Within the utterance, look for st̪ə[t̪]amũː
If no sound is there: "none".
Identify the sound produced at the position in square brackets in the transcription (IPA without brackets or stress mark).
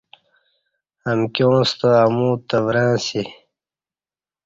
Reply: none